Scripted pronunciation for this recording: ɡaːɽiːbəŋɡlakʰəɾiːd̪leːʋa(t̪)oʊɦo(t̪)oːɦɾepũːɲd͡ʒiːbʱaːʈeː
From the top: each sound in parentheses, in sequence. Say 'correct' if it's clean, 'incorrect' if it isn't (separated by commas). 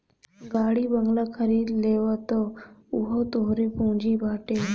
correct, correct